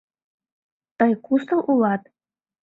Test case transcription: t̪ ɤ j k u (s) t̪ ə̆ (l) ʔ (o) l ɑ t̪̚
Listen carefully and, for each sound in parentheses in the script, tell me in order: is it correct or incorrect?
correct, correct, incorrect

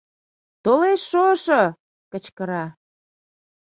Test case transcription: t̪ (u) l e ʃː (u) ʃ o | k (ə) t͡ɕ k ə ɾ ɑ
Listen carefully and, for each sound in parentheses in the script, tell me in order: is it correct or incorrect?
incorrect, incorrect, correct

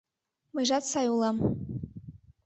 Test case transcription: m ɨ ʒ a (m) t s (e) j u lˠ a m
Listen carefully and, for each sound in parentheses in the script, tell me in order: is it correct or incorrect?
incorrect, incorrect

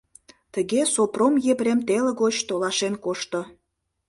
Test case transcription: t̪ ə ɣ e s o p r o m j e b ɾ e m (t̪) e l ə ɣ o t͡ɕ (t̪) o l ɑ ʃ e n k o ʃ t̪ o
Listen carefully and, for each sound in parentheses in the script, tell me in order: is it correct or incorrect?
correct, correct

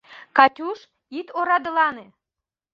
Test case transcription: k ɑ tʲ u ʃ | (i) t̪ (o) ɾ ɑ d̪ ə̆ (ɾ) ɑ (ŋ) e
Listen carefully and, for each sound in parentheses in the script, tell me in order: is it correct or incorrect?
correct, correct, incorrect, incorrect

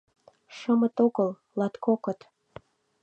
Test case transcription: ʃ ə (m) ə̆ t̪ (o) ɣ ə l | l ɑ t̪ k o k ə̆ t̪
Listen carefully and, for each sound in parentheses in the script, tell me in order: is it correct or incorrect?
correct, correct

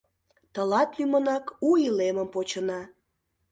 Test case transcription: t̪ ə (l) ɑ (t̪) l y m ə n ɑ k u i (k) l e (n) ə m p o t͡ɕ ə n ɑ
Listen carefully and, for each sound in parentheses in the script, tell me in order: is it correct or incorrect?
correct, correct, incorrect, incorrect

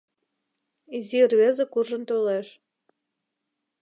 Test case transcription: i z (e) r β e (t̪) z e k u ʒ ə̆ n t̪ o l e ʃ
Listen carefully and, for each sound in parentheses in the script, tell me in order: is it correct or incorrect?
incorrect, incorrect

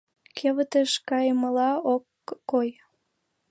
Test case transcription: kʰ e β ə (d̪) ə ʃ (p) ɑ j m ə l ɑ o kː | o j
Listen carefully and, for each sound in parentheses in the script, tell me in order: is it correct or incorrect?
incorrect, incorrect

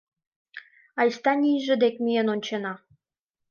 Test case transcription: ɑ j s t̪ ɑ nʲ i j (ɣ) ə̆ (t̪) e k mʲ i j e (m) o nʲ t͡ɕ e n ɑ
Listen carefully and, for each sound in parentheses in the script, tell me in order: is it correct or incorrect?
incorrect, incorrect, incorrect

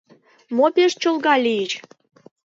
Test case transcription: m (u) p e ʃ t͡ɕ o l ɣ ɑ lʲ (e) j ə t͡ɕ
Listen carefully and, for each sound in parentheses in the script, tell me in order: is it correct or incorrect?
incorrect, incorrect

